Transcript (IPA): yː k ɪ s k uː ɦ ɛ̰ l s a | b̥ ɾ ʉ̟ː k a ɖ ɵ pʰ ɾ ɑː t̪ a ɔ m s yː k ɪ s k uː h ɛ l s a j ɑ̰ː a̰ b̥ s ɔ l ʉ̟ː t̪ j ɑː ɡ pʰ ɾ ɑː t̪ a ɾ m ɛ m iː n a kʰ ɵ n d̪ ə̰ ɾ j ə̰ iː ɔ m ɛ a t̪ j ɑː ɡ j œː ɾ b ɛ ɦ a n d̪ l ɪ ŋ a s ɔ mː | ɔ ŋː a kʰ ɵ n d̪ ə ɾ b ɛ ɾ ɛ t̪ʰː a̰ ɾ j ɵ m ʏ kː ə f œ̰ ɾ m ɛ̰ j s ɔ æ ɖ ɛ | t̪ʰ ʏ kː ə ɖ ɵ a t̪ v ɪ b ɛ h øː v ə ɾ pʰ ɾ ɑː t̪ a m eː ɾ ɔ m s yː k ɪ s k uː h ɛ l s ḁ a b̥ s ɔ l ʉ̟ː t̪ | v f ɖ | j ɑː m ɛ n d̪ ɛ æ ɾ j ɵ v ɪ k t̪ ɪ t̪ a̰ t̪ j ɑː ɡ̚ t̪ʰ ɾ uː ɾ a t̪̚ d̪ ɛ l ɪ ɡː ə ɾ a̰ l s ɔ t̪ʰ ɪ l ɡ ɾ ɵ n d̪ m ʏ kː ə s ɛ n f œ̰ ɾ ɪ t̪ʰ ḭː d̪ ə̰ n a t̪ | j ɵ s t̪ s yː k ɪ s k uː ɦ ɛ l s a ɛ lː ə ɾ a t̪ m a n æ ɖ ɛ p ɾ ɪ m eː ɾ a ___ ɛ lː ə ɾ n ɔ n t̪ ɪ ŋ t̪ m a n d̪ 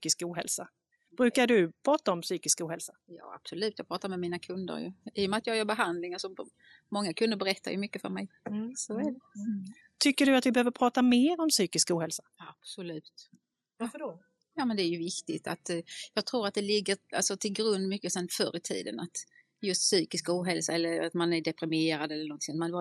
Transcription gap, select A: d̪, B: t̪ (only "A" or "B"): A